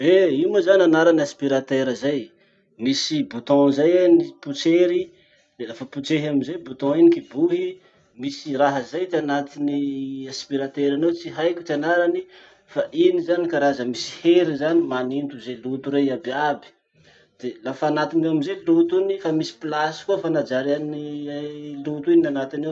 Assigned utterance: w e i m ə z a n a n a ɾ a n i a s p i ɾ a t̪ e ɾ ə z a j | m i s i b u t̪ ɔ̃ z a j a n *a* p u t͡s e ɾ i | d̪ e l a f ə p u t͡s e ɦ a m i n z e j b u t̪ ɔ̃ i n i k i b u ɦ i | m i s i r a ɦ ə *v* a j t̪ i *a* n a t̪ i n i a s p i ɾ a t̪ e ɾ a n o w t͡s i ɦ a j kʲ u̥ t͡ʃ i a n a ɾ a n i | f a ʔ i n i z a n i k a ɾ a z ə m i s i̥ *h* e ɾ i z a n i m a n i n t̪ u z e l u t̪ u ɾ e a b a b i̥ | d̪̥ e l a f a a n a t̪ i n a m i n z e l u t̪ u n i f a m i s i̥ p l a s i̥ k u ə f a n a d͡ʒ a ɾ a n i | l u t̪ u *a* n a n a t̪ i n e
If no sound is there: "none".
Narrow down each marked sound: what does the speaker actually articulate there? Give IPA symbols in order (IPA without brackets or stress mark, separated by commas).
i, z, a, h, i